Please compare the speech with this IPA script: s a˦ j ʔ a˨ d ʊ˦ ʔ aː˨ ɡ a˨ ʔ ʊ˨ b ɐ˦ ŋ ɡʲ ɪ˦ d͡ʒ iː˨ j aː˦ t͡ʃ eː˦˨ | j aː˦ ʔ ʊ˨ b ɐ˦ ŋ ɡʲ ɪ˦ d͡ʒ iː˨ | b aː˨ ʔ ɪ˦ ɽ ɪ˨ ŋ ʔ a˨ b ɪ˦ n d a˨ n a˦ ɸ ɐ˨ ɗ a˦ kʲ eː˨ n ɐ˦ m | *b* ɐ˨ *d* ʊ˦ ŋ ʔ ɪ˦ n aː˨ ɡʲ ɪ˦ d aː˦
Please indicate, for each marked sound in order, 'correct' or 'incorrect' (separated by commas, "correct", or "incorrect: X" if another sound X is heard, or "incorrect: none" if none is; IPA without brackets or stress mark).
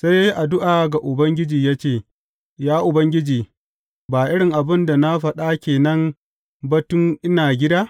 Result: correct, incorrect: t